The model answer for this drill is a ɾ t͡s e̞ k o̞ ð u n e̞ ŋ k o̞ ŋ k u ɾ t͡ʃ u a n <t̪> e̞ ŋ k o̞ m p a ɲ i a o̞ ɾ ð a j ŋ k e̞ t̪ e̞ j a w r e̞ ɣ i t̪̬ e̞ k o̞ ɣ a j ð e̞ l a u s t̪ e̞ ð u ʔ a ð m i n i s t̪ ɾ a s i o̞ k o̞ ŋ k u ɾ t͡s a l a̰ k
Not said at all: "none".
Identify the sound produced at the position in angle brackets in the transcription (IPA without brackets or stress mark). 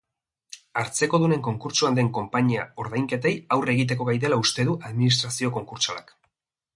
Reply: d̪